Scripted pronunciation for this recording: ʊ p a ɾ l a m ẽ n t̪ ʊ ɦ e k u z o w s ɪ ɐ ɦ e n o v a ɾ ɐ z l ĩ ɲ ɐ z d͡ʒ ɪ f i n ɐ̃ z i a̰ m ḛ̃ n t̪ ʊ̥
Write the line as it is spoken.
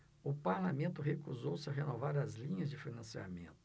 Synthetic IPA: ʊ p a ɾ l a m ẽ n t̪ ʊ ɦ e k u z o w s ɪ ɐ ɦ e n o v a ɾ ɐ z l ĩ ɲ ɐ z d͡ʒ ɪ f i n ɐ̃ s i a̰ m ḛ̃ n t̪ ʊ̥